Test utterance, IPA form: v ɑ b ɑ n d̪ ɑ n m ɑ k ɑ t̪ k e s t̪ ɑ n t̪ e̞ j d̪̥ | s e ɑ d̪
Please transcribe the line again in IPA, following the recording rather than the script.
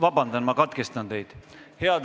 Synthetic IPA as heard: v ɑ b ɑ n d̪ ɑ n m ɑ k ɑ t̪ k e s t̪ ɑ n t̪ e̞ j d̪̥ | h e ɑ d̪